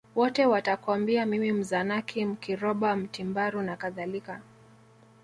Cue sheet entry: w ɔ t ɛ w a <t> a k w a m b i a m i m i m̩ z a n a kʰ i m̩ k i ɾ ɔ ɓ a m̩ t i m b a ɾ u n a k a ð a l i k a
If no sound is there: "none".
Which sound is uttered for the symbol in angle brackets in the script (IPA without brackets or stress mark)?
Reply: t